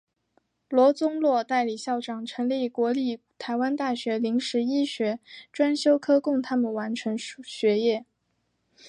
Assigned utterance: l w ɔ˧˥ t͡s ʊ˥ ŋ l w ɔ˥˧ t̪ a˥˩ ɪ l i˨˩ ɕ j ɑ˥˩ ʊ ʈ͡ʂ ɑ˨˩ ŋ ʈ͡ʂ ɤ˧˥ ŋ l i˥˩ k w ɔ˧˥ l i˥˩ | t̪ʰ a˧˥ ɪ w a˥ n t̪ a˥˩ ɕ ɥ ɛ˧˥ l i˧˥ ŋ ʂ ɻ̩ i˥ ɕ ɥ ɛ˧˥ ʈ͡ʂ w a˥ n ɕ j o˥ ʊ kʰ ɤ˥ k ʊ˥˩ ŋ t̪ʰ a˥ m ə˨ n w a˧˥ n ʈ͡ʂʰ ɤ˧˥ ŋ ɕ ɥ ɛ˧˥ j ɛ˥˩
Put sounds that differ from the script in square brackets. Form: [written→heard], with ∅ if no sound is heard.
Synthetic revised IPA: l w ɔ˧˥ t͡s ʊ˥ ŋ l w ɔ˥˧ t̪ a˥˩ ɪ l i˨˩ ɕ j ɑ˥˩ ʊ ʈ͡ʂ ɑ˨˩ ŋ [ʈ͡ʂ→ʈ͡ʂʰ] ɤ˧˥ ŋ l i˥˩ k w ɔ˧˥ l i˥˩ | t̪ʰ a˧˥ ɪ w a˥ n t̪ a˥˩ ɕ ɥ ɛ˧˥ l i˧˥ ŋ ʂ ɻ̩ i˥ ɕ ɥ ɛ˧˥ ʈ͡ʂ w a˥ n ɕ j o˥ ʊ kʰ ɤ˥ k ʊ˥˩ ŋ t̪ʰ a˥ m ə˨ n w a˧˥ n ʈ͡ʂʰ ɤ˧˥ ŋ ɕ ɥ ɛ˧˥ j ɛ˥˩